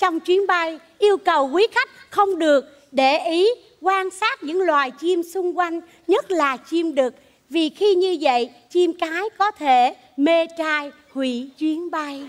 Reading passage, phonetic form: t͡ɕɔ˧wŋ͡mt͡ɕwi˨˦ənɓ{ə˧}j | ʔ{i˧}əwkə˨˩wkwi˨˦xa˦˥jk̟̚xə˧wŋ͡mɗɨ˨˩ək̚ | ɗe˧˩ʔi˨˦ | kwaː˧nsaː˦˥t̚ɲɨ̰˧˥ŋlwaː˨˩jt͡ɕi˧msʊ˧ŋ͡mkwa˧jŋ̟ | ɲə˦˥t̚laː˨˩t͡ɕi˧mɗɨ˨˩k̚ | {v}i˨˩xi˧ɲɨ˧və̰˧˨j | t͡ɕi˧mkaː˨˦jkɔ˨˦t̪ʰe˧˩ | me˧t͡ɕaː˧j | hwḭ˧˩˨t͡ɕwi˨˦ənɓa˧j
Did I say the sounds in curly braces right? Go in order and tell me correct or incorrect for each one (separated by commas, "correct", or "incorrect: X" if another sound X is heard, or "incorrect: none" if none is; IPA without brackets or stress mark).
incorrect: a˧, correct, correct